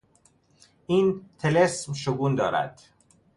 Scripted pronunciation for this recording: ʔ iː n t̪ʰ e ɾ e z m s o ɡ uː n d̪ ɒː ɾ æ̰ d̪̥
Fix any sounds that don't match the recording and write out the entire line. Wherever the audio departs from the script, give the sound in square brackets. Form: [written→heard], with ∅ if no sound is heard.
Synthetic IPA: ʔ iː n t̪ʰ e [ɾ→l] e [z→s] m [s→ʃ] o ɡ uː n d̪ ɒː ɾ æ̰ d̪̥